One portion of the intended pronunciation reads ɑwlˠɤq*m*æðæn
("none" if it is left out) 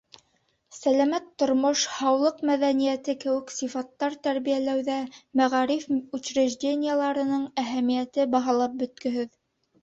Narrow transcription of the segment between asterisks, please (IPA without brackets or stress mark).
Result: m